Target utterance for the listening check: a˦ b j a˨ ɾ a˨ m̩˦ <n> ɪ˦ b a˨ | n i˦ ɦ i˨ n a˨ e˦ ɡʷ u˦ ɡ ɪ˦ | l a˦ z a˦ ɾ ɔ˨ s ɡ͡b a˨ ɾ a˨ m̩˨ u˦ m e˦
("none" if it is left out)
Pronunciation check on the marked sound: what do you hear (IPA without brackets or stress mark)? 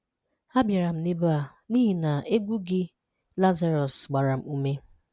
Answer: n